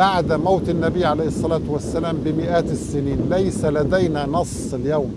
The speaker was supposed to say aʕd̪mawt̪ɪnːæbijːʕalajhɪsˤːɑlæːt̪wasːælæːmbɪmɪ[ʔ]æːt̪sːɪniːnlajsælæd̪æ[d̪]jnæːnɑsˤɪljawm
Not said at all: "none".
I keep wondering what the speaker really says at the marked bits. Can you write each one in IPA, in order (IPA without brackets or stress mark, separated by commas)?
ʔ, none